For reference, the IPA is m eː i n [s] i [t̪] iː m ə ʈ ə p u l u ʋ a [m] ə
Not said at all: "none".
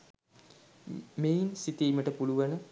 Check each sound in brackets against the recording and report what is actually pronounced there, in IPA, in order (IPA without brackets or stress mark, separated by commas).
s, t̪, n